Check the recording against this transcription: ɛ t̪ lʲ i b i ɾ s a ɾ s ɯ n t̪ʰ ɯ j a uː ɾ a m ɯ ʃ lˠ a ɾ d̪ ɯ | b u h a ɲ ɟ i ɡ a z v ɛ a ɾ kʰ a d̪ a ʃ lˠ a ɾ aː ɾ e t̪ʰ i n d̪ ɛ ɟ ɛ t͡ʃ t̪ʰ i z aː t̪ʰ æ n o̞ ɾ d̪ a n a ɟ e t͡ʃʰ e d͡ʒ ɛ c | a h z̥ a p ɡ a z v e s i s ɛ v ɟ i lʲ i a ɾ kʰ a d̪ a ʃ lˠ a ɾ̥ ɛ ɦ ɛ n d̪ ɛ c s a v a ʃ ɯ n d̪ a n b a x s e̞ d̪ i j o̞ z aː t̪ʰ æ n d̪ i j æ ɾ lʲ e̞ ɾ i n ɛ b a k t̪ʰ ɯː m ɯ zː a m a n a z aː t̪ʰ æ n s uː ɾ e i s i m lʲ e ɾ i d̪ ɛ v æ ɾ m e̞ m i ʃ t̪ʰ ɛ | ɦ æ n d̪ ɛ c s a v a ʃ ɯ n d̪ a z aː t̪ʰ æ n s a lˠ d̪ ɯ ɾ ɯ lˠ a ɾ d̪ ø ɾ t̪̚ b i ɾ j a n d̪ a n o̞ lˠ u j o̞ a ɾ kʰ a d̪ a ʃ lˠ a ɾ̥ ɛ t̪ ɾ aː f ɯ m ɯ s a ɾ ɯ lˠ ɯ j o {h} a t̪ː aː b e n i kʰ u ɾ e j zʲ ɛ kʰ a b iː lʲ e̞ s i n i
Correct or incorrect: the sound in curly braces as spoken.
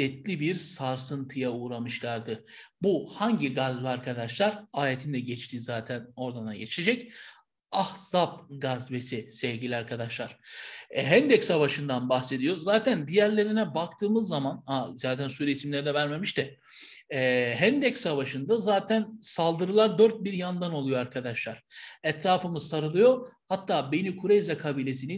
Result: correct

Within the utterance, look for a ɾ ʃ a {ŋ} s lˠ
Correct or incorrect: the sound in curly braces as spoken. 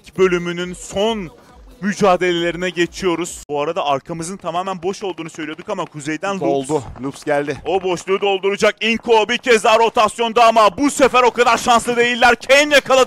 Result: incorrect: n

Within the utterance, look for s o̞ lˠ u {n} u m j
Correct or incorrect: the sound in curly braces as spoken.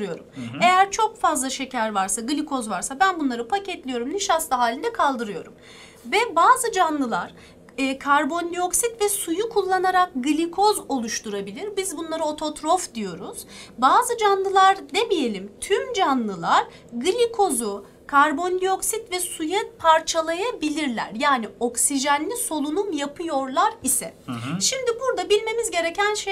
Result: correct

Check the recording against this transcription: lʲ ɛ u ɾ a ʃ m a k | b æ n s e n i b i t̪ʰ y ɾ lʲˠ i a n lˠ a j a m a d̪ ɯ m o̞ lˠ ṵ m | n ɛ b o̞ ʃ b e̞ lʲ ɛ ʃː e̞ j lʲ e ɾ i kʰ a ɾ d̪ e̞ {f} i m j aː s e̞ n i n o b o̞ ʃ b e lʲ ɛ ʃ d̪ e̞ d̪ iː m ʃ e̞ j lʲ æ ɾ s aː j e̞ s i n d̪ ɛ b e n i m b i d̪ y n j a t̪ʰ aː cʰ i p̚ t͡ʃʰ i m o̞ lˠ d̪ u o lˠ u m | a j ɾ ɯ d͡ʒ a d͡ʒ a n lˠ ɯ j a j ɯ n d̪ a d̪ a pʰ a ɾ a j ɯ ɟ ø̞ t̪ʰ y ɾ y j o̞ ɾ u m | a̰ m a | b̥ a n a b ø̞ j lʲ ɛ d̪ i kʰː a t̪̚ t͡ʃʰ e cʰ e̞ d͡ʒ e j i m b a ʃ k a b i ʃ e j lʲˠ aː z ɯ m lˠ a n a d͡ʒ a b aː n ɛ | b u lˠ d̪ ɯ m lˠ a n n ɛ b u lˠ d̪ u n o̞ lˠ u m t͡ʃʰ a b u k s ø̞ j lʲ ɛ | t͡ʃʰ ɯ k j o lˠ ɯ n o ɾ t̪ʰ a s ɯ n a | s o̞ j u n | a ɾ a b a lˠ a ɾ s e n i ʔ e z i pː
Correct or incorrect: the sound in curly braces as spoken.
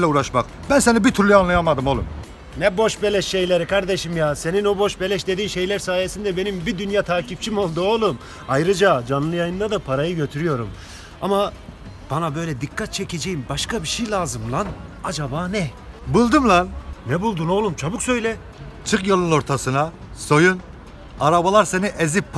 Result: incorrect: ʃ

